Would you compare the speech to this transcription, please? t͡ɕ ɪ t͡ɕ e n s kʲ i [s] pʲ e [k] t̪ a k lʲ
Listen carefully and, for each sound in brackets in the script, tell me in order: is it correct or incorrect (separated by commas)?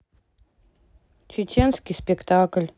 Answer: correct, correct